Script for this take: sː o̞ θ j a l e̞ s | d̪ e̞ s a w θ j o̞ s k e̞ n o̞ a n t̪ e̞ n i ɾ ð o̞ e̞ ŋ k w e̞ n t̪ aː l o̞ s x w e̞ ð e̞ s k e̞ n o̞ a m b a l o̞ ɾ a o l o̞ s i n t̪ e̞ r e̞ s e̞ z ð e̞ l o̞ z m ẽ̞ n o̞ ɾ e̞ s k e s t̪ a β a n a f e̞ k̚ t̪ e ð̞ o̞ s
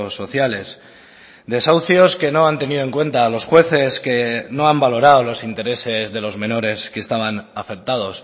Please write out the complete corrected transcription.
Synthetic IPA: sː o̞ θ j a l e̞ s | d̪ e̞ s a w θ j o̞ s k e̞ n o̞ a n t̪ e̞ n i ð o̞ e̞ ŋ k w e̞ n t̪ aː l o̞ s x w e̞ θ e̞ s k e̞ n o̞ a m b a l o̞ ɾ a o l o̞ s i n t̪ e̞ ɾ e̞ s e̞ z ð e̞ l o̞ z m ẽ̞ n o̞ ɾ e̞ s k e s t̪ a β a n a f e̞ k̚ t̪ a ð̞ o̞ s